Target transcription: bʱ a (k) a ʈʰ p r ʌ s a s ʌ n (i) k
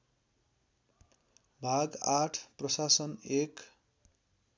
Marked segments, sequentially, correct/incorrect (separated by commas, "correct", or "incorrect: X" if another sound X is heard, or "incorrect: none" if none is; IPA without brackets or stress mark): incorrect: ɡ, incorrect: e